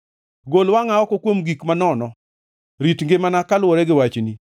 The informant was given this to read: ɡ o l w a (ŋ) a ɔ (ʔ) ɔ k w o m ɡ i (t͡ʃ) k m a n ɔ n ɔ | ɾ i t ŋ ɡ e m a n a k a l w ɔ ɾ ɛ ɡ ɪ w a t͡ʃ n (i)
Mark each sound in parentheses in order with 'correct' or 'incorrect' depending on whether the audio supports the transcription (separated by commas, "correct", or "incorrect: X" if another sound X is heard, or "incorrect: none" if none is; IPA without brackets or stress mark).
correct, incorrect: k, incorrect: none, correct